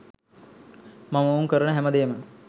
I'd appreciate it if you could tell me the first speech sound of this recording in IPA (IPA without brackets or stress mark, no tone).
m